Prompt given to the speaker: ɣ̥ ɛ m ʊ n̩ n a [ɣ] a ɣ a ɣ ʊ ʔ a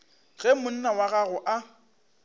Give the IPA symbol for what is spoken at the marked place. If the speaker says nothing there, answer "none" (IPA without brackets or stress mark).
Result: w